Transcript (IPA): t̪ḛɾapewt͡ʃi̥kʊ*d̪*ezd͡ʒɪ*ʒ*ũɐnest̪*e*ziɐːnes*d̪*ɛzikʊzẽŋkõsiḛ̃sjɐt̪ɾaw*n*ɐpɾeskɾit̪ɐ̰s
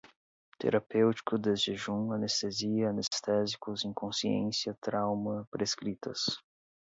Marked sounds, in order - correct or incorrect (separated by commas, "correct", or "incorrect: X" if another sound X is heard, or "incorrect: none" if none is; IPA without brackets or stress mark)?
correct, correct, correct, incorrect: t̪, incorrect: m